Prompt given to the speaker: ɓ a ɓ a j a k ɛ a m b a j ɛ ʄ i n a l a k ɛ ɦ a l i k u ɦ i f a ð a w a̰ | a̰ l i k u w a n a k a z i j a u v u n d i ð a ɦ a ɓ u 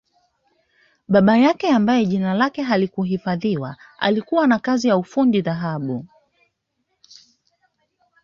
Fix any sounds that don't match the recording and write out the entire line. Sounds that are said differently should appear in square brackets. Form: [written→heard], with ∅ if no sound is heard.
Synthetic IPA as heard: ɓ a ɓ a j a k ɛ a m b a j ɛ ʄ i n a l a k ɛ ɦ a l i k u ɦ i f a ð [a→i] w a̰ | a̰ l i k u w a n a k a z i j a u [v→f] u n d i ð a ɦ a ɓ u